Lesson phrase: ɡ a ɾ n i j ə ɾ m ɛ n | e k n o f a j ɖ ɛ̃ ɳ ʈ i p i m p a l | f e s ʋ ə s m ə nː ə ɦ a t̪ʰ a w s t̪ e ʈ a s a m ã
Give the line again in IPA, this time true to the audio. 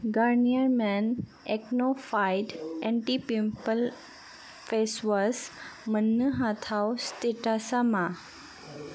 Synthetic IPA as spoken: ɡ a ɾ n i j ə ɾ m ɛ n | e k n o f a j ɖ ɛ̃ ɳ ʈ i p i m p ə l | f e s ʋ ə s m ə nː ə ɦ a t̪ʰ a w s t̪ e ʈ a s a m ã